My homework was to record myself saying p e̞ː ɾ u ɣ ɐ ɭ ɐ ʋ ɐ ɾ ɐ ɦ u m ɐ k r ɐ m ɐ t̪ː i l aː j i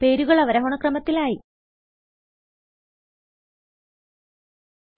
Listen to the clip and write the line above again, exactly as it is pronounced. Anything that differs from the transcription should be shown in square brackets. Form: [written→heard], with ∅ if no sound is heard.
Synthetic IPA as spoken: p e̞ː ɾ u ɣ ɐ ɭ ɐ ʋ ɐ ɾ ɐ ɦ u [m→ɳ] ɐ k r ɐ m ɐ t̪ː i l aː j i